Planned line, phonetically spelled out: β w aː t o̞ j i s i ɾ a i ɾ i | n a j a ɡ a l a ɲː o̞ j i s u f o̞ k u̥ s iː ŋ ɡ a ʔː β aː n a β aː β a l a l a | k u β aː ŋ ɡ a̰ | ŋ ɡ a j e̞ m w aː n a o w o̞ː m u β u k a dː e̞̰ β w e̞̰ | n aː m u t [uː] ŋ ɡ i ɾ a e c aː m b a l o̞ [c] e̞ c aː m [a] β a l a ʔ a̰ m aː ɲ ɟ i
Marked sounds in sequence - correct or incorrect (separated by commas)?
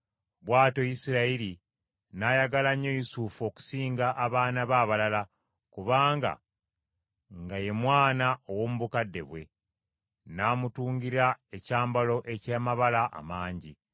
correct, incorrect, correct